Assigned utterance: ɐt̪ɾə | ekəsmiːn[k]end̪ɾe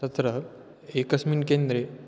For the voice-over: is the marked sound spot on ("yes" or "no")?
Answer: yes